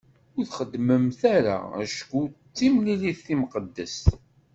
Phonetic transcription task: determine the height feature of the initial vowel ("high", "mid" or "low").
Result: high